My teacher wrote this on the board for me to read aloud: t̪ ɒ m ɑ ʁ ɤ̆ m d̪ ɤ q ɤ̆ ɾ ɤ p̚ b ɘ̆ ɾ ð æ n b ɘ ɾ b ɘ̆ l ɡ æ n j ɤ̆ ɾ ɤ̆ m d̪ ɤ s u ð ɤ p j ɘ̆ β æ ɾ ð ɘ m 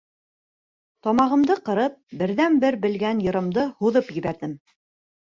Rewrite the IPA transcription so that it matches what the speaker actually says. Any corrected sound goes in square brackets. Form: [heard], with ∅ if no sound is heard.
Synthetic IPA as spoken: t̪ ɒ m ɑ ʁ ɤ̆ m d̪ ɤ q ɤ̆ ɾ ɤ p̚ b ɘ̆ ɾ ð æ n b ɘ ɾ b ɘ̆ l ɡ æ n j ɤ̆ ɾ ɤ̆ m d̪ ɤ [h] u ð ɤ p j ɘ̆ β æ ɾ ð ɘ m